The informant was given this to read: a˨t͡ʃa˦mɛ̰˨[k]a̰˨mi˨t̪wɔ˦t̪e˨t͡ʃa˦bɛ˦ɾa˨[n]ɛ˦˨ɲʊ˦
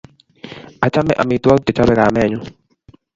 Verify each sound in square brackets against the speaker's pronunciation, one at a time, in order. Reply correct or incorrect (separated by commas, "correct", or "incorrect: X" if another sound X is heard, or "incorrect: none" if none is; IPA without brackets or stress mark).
incorrect: ʔ, incorrect: m